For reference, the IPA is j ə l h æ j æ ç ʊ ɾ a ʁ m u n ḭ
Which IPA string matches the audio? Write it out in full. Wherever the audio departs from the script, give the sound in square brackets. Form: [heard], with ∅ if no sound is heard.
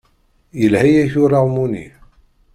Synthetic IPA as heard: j ə l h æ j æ ç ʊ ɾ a ʁ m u n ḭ